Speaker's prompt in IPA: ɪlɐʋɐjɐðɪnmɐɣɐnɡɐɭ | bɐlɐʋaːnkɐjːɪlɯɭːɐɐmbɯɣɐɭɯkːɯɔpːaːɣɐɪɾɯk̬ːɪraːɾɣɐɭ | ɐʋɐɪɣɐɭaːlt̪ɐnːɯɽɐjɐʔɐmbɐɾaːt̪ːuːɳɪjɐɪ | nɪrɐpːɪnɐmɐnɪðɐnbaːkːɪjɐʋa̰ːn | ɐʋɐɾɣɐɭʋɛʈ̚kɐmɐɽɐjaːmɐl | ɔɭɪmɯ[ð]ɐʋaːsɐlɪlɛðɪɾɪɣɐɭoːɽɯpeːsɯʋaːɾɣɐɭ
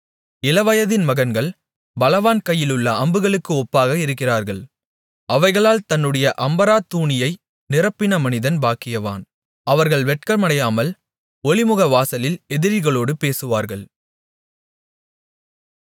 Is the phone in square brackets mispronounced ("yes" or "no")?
yes